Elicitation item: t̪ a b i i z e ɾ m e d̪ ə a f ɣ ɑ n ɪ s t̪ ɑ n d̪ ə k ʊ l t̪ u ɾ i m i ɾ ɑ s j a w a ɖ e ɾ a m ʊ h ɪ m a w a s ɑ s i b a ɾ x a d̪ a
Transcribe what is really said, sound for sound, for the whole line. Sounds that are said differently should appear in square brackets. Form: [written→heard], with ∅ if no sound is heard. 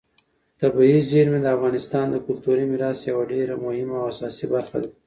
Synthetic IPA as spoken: t̪ a b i i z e ɾ m e d̪ ə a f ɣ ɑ n ɪ s t̪ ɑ n d̪ ə k ʊ l t̪ u ɾ i m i ɾ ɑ s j a w a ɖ e ɾ a m ʊ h ɪ m a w a s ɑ s i b a ɾ x a d̪ a